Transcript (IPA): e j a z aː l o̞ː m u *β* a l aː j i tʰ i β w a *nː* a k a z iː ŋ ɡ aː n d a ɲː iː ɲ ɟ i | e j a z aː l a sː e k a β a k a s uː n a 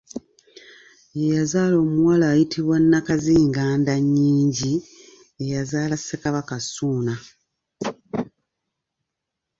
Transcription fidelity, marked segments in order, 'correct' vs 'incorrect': incorrect: w, correct

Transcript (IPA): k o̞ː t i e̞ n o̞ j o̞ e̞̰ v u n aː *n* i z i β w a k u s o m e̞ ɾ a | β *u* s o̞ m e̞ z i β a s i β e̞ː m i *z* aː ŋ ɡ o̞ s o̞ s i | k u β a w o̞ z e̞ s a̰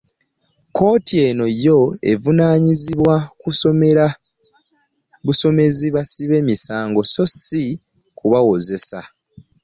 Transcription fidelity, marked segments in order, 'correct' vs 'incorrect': incorrect: ɲ, correct, incorrect: s

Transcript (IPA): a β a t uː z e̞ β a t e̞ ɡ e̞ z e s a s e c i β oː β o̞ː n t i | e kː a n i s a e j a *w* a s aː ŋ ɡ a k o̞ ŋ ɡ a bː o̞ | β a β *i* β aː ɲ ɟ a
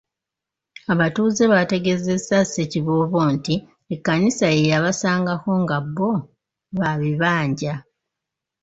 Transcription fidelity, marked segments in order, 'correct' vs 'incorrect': incorrect: β, correct

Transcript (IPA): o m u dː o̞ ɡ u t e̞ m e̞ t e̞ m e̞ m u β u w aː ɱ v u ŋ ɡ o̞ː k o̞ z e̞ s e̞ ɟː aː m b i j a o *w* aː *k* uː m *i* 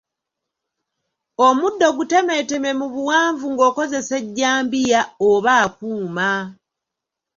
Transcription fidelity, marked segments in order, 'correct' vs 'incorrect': incorrect: β, correct, incorrect: a

